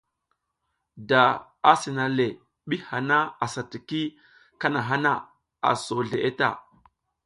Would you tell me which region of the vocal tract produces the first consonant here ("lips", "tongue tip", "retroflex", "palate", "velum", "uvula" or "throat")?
tongue tip